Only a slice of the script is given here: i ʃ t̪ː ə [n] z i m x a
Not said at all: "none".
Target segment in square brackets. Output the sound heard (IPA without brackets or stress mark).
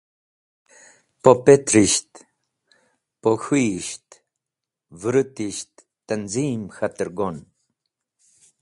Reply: n